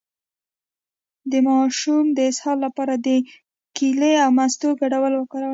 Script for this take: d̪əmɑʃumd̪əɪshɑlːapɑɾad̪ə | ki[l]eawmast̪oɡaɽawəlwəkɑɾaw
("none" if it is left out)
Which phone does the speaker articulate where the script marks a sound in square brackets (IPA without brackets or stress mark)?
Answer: l